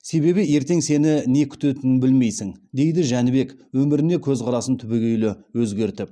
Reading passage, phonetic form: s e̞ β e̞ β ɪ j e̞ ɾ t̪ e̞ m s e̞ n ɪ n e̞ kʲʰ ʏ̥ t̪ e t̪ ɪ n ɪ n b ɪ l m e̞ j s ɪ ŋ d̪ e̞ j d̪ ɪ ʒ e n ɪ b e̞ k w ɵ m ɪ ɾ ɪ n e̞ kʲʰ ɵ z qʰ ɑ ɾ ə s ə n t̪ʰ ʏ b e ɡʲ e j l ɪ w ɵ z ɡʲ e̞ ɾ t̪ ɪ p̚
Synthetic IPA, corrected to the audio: s e̞ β e̞ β ɪ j e̞ ɾ t̪ e̞ ŋ s e̞ n ɪ n e̞ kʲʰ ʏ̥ t̪ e t̪ ɪ n ɪ n b ɪ l m e̞ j s ɪ ŋ d̪ e̞ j d̪ ɪ ʒ æ n ɪ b e̞ k w ɵ m ɪ ɾ ɪ n e̞ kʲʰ ɵ z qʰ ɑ ɾ ɑ s ə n t̪ʰ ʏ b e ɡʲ e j l ɪ w ɵ z ɡʲ e̞ ɾ t̪ ɪ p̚